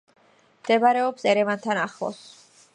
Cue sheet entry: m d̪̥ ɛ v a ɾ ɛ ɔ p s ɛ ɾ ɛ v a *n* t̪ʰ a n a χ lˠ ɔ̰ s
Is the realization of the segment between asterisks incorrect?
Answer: no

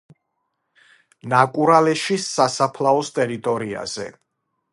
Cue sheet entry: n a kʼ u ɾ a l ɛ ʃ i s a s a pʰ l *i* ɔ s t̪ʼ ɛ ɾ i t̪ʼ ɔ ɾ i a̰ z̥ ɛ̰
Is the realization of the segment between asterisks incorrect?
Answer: yes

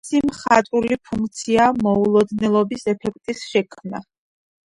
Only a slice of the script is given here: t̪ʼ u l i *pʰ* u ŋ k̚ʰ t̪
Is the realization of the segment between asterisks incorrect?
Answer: no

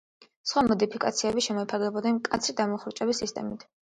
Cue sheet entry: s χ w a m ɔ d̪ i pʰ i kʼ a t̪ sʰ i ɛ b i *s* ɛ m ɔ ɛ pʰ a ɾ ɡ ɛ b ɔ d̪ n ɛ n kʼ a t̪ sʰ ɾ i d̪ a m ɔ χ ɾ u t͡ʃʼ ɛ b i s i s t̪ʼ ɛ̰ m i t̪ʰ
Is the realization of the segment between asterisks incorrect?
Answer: yes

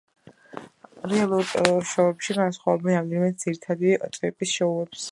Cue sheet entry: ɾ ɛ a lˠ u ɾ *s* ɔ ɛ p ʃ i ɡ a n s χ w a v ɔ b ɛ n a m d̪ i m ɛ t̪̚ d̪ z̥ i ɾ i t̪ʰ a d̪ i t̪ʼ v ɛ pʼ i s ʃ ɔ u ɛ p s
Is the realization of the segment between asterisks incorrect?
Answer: yes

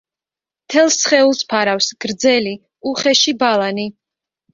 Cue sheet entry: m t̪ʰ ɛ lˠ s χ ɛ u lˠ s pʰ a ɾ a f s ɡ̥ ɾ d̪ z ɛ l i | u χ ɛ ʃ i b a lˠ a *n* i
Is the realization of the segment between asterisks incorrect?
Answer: no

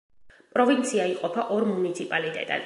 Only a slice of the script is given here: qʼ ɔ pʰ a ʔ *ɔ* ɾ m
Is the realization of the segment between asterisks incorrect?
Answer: no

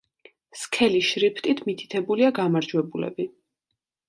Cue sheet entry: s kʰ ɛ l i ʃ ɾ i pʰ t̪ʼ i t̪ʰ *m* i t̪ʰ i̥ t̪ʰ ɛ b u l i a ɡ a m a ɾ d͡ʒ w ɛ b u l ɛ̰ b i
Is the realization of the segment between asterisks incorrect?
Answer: no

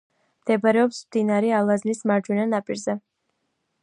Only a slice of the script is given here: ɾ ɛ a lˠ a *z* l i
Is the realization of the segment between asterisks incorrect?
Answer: no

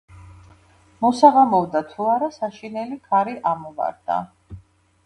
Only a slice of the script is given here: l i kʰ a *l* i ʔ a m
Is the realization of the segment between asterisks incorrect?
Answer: yes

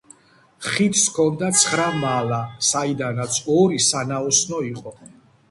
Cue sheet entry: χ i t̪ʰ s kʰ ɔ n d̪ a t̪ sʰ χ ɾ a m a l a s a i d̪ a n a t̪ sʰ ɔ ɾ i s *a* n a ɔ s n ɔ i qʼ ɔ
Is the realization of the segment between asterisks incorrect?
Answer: no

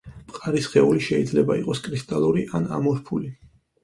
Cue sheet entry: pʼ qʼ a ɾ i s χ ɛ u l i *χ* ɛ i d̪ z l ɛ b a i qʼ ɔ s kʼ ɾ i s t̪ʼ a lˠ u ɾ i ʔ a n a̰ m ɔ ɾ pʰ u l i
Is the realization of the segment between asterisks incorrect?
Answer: yes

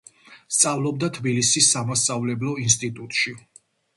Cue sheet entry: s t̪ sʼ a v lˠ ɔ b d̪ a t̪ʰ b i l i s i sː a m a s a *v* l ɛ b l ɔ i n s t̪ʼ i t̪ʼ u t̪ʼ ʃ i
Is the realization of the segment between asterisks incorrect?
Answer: no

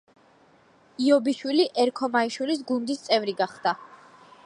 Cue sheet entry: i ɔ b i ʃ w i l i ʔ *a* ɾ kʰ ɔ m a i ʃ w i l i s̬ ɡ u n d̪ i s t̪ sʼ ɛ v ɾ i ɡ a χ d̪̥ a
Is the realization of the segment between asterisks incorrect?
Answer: yes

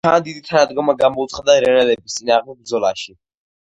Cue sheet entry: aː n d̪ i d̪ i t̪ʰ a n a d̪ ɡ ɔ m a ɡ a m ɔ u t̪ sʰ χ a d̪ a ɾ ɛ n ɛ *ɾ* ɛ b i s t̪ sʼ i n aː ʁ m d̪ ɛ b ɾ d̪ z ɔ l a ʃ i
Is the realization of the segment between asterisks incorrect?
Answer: yes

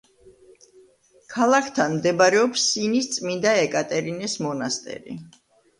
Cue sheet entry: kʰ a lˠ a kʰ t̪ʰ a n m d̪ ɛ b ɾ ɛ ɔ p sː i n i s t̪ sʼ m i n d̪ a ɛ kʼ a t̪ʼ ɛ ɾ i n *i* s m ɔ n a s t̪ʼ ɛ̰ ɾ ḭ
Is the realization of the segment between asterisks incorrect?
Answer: yes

